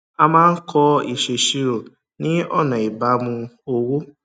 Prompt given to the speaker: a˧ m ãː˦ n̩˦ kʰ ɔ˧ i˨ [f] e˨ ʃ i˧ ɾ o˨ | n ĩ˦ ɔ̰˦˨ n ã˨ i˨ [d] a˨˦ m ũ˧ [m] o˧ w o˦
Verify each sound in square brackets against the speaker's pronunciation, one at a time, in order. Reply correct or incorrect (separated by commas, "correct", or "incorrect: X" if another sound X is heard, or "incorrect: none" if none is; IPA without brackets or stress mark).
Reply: incorrect: ʃ, incorrect: b, incorrect: none